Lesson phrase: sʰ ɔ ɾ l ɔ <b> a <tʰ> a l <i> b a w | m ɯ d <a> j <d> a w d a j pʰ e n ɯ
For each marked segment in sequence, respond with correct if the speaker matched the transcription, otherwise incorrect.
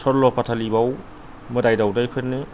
incorrect: p, correct, correct, correct, correct

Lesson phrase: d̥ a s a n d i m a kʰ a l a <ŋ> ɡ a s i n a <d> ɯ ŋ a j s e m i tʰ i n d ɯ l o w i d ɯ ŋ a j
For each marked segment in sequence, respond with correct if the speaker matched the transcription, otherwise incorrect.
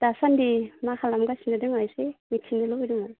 incorrect: m, correct

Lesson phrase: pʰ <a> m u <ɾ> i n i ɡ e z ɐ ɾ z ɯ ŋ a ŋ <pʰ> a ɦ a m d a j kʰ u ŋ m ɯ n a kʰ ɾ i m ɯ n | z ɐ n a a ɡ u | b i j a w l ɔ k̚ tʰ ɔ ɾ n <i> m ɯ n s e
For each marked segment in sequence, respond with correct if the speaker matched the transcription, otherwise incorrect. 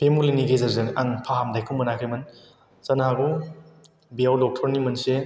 incorrect: e, incorrect: l, correct, correct

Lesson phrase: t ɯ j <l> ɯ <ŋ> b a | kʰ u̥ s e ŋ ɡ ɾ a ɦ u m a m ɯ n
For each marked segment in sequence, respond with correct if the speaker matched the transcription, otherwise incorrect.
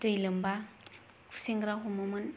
correct, incorrect: m

